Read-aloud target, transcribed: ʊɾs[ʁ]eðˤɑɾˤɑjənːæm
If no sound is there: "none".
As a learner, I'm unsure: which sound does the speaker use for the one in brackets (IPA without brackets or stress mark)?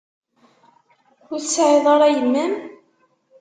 ʕ